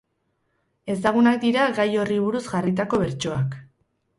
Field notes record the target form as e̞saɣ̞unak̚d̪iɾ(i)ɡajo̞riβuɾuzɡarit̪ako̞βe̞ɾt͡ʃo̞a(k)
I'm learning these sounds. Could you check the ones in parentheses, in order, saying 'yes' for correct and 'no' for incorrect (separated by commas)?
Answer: no, yes